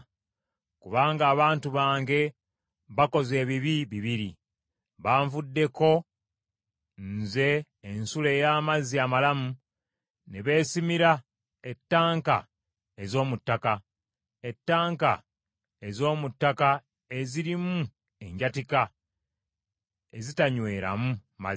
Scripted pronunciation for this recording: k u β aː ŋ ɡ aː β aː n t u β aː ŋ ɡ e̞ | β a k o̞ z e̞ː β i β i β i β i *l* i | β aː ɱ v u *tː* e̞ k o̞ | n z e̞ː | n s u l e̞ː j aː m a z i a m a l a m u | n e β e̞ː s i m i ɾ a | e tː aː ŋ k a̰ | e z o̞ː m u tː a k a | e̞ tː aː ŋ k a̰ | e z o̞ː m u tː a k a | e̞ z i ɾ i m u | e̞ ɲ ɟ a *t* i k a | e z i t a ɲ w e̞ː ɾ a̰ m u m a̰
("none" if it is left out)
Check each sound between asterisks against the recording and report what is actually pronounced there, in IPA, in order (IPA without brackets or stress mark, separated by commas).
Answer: ɾ, dː, t